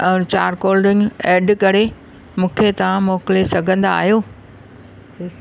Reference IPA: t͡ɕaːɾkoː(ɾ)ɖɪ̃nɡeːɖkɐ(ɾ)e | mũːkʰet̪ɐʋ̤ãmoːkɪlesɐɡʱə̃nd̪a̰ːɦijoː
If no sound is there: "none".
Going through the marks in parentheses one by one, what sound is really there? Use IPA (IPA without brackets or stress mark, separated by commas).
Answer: l, ɾ